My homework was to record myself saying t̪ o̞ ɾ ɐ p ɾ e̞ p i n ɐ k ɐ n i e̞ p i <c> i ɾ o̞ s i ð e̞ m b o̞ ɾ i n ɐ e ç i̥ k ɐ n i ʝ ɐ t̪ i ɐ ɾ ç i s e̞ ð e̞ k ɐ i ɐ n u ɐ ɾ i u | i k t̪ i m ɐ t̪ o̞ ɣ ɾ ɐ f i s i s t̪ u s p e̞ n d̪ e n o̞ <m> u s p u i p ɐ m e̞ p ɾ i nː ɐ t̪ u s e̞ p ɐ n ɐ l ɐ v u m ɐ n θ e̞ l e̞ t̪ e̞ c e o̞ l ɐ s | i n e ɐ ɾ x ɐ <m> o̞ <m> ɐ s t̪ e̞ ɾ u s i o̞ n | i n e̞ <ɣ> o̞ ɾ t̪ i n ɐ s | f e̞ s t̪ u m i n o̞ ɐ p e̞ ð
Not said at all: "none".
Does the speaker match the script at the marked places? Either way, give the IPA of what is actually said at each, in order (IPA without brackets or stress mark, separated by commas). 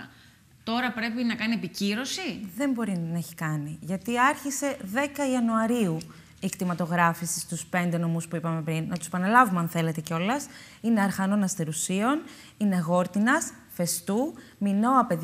c, m, n, n, ɣ